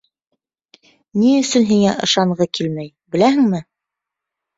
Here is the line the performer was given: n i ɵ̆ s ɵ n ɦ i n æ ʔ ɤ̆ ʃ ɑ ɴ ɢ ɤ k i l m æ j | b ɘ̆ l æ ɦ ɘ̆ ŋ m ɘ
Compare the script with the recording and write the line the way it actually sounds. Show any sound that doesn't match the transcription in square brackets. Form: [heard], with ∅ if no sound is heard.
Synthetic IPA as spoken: n i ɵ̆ s ɵ n ɦ i [ŋ] æ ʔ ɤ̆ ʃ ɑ ɴ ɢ ɤ k i l m æ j | b ɘ̆ l æ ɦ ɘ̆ ŋ m ɘ

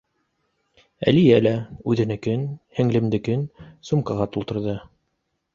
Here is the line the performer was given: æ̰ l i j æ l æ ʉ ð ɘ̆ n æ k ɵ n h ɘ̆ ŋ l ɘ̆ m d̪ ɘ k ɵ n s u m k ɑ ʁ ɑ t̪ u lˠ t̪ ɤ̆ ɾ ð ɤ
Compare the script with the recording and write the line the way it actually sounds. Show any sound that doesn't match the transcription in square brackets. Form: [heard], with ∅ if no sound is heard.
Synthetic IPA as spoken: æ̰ l i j æ l æ ʉ ð ɘ̆ n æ k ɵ n h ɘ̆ ŋ l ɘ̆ m d̪ ɘ k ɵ n s u m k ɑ ʁ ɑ t̪ u lˠ t̪ ɤ̆ ɾ ð ɤ

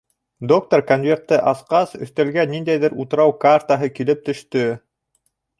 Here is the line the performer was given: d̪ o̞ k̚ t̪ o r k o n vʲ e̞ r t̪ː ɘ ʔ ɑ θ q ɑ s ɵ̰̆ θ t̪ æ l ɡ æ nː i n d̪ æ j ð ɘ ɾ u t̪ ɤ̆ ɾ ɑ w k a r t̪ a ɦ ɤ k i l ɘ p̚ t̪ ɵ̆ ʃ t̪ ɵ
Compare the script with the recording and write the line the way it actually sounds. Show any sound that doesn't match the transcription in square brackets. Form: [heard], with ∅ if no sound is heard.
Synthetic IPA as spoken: d̪ o̞ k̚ t̪ o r k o n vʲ e̞ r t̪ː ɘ ʔ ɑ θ q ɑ s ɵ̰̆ θ t̪ æ l ɡ æ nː i n d̪ æ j ð ɘ ɾ u t̪ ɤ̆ ɾ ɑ w k a r t̪ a ɦ ɤ k i l ɘ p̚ t̪ ɵ̆ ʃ t̪ ɵ

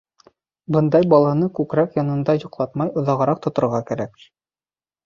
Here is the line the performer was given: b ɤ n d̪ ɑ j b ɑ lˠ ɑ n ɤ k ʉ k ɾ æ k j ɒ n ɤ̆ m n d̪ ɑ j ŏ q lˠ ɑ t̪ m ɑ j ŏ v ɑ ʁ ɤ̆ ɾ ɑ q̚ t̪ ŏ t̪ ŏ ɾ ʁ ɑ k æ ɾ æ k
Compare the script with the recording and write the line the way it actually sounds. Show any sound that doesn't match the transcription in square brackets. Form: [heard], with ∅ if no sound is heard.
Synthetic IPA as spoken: b ɤ n d̪ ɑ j b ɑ lˠ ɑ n ɤ k ʉ k ɾ æ k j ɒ n ɤ̆ [∅] n d̪ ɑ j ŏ q lˠ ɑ t̪ m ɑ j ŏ [ð] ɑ ʁ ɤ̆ ɾ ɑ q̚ t̪ ŏ t̪ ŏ ɾ ʁ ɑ k æ ɾ æ k

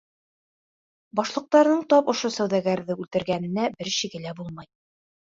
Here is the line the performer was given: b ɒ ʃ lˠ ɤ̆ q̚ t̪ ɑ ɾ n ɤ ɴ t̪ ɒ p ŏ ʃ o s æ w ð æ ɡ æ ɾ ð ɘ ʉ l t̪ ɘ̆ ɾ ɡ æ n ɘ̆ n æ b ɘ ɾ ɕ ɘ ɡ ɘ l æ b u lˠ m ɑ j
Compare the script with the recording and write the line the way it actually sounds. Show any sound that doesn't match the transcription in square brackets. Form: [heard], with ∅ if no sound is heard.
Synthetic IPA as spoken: b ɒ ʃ lˠ ɤ̆ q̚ t̪ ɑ ɾ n ɤ ɴ t̪ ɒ p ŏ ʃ o s æ w ð æ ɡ æ ɾ ð ɘ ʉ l t̪ ɘ̆ ɾ ɡ æ n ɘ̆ n æ b ɘ ɾ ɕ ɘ ɡ ɘ l æ b u lˠ m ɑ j

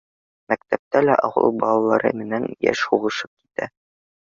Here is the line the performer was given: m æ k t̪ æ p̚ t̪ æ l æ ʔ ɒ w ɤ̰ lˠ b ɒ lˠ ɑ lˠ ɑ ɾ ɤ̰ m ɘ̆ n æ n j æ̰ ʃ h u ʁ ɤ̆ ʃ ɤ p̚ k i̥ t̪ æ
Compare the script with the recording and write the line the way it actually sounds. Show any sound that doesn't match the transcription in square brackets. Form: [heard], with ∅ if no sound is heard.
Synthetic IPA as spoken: m æ k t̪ æ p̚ t̪ æ l æ ʔ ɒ w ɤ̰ lˠ b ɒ lˠ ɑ lˠ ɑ ɾ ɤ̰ m ɘ̆ n æ n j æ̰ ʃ h u ʁ ɤ̆ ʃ ɤ p̚ k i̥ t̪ æ

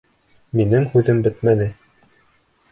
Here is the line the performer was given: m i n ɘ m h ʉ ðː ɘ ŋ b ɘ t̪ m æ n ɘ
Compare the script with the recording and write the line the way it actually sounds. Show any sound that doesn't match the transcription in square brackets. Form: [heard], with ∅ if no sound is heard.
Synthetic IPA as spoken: m i n ɘ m h ʉ [ð] ɘ [m] b ɘ t̪ m æ n ɘ

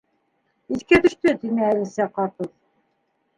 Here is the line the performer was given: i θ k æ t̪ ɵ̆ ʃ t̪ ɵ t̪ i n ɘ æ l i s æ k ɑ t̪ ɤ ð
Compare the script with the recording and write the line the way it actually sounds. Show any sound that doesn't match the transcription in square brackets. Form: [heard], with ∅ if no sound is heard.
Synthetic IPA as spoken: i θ k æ t̪ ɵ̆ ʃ t̪ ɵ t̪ i n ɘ æ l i s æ [q] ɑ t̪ ɤ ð

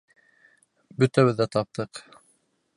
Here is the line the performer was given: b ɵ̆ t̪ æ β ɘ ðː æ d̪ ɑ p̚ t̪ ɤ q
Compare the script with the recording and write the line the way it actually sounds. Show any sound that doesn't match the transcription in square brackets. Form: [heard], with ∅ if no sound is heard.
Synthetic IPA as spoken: b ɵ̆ t̪ æ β ɘ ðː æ [t̪] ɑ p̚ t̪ ɤ q

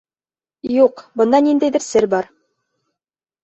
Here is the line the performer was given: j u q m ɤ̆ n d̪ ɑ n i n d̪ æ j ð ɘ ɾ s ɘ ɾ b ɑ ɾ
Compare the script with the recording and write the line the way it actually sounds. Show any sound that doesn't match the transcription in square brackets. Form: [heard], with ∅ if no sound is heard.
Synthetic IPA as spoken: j u q [b] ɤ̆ n d̪ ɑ n i n d̪ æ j ð ɘ ɾ s ɘ ɾ b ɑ ɾ

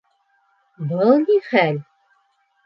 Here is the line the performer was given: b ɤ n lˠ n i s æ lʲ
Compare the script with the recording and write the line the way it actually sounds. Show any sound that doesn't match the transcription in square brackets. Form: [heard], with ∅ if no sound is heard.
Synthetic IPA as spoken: b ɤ [∅] lˠ n i [χ] æ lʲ

